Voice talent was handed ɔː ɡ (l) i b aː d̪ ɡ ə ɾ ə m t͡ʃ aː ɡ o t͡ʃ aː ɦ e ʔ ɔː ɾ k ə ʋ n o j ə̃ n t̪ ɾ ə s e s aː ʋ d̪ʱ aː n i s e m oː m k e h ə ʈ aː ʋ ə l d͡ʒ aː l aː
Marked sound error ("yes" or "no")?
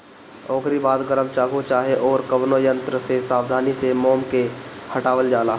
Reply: yes